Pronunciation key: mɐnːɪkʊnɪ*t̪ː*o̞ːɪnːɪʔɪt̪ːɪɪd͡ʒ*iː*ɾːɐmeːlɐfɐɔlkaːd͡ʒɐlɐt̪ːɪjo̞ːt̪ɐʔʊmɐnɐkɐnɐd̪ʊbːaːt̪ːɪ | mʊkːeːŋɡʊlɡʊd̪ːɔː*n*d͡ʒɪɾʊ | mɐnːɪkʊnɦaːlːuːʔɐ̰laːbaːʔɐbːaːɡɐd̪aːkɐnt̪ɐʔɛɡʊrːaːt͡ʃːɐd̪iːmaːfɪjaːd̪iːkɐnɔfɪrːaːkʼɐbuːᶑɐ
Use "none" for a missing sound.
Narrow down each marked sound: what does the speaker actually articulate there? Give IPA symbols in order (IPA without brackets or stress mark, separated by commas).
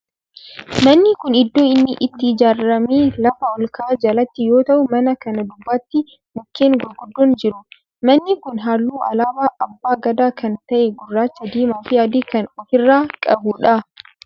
d̪ː, aː, n